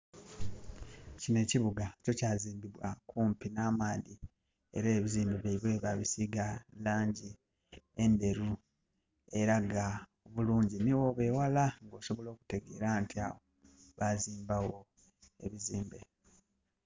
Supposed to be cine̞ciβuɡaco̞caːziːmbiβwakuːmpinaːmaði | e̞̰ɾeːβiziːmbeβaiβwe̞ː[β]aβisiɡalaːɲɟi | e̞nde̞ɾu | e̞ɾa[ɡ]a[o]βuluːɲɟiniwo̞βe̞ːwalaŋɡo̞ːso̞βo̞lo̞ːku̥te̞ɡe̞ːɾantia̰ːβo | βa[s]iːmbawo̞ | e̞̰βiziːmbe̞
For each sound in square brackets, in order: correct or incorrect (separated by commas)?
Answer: correct, correct, correct, incorrect